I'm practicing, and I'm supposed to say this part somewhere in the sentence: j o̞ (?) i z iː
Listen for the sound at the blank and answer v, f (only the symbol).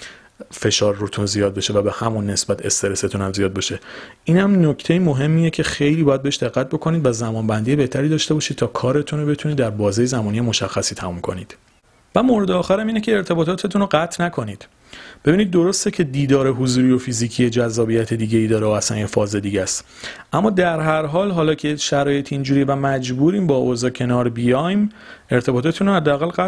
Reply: f